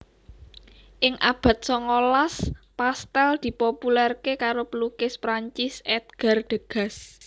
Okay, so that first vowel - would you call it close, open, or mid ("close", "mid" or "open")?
close